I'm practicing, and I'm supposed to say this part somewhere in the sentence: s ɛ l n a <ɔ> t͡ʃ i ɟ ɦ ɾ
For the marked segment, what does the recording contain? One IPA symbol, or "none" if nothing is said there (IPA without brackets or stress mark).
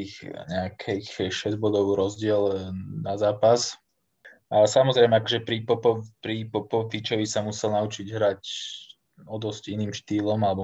u